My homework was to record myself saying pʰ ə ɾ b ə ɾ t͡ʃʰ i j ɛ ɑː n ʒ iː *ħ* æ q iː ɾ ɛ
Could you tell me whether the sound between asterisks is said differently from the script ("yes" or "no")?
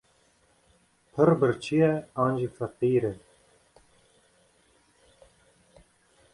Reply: yes